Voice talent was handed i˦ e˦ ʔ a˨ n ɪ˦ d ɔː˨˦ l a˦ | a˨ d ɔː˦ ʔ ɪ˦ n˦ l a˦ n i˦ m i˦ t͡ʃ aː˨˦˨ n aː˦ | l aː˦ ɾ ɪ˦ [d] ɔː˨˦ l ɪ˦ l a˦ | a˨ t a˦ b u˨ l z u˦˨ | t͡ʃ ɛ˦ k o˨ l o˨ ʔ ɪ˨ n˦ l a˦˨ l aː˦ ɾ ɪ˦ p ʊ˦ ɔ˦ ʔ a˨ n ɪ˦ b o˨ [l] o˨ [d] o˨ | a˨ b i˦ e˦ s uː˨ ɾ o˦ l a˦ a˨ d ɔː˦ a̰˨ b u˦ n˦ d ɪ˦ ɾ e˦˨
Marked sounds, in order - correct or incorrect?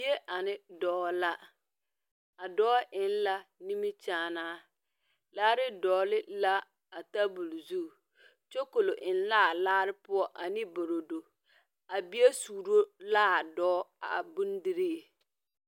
correct, incorrect, correct

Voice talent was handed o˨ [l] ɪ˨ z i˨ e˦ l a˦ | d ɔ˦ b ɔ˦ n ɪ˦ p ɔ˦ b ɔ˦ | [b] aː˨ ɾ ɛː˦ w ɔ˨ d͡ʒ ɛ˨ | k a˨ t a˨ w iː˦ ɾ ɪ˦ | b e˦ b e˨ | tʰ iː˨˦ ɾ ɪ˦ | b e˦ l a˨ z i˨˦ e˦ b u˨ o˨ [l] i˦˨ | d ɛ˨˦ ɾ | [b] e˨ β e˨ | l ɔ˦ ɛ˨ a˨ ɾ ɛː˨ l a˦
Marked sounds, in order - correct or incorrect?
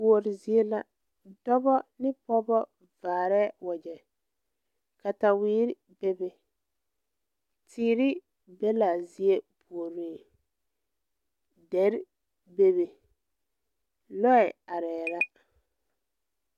incorrect, incorrect, incorrect, correct

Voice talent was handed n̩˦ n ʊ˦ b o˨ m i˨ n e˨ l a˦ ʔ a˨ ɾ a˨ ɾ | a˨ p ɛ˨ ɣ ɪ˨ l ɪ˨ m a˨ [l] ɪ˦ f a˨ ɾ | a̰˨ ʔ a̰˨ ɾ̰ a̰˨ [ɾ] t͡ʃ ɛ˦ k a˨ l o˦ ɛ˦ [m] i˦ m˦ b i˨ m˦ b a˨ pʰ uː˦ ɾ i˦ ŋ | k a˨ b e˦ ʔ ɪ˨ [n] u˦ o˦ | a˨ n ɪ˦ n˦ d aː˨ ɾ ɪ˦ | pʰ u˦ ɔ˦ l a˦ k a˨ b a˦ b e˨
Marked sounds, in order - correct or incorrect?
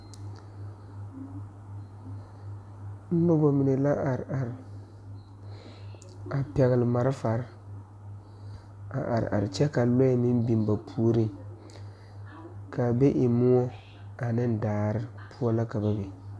incorrect, correct, correct, incorrect

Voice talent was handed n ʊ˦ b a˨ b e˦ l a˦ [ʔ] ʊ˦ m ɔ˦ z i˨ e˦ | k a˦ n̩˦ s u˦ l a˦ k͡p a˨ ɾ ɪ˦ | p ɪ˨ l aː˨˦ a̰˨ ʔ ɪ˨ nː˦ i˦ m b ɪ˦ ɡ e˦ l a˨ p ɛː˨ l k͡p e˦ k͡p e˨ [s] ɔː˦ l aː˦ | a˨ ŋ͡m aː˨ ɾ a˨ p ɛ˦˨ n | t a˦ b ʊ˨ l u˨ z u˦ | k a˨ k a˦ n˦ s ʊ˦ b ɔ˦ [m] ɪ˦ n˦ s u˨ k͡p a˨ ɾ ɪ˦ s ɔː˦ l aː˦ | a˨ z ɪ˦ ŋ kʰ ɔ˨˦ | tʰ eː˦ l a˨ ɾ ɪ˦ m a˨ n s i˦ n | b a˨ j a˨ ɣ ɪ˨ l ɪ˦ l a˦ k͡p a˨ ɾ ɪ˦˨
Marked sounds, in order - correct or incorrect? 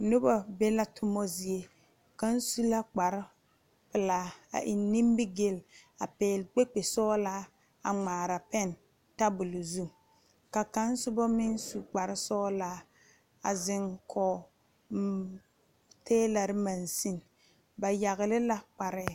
incorrect, correct, correct

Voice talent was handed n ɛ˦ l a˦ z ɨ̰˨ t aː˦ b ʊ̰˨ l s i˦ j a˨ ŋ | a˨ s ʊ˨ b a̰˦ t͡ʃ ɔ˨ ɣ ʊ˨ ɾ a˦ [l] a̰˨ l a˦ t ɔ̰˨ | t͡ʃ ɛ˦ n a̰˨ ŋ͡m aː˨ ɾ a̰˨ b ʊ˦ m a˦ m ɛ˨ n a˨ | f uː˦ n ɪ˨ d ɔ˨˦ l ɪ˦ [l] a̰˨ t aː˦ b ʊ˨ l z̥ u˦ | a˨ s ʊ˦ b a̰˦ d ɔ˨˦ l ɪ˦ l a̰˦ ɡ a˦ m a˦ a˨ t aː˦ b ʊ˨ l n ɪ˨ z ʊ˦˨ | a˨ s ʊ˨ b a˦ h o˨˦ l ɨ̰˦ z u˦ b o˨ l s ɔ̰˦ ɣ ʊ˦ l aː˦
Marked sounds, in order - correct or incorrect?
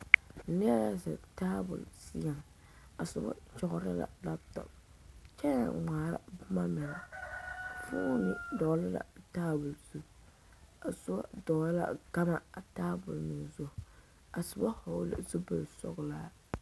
correct, correct

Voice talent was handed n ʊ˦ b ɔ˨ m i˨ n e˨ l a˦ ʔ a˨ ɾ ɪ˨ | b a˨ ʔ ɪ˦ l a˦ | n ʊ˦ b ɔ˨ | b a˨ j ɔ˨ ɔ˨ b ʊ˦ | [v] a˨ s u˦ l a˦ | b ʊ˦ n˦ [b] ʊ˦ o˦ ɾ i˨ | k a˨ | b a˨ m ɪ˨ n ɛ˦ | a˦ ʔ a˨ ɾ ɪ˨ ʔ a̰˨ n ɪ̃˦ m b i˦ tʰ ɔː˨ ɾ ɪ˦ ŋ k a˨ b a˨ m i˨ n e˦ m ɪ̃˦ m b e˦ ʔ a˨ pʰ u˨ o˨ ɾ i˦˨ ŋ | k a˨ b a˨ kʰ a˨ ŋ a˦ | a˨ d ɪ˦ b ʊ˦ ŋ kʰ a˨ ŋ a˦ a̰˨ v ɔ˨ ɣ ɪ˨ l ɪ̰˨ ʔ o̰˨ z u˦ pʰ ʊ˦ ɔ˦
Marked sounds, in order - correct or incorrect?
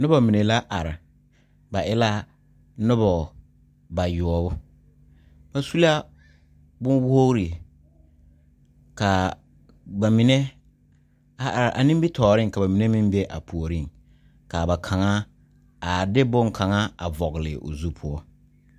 incorrect, incorrect

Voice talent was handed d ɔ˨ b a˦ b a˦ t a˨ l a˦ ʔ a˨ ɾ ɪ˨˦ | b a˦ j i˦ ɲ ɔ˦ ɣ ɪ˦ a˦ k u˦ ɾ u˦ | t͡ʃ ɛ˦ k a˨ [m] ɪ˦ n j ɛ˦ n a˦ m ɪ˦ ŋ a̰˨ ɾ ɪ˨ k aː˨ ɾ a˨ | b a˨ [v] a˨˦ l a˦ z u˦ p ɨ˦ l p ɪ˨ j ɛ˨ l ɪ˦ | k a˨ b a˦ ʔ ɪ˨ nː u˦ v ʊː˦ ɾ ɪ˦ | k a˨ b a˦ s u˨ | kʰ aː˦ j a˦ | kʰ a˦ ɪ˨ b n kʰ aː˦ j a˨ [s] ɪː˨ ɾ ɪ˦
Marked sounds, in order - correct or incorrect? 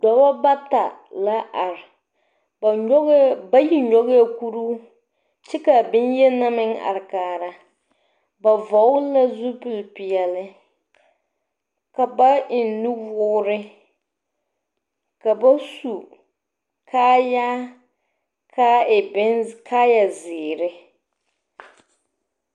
incorrect, correct, incorrect

